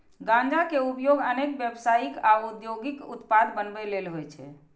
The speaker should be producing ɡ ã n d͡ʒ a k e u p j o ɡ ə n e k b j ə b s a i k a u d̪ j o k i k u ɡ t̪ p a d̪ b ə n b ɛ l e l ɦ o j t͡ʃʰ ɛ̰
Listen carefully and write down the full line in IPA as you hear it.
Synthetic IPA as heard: ɡ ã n d͡ʒ a k e u p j o ɡ ə n e k b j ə b s a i k a u d̪ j o ɡ i k u t̪ p a d̪ b ə n b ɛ l e l ɦ o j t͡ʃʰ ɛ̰